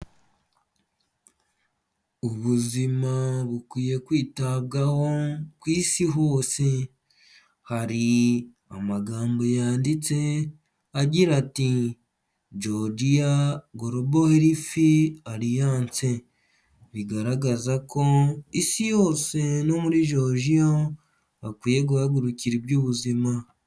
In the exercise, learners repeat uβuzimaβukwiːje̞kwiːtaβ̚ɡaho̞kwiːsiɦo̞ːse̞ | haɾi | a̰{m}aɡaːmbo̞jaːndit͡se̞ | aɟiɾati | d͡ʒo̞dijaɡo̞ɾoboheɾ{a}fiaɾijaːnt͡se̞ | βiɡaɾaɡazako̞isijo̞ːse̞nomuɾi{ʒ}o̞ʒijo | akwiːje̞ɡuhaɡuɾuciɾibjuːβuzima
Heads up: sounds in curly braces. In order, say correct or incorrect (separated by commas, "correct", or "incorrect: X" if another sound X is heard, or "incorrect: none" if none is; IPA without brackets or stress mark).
correct, incorrect: i, correct